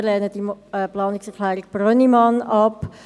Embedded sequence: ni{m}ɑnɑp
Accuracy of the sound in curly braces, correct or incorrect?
correct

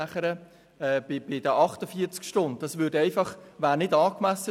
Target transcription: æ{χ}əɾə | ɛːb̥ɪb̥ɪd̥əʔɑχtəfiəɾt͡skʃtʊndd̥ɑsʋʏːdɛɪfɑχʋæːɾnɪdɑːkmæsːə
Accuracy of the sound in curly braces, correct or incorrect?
correct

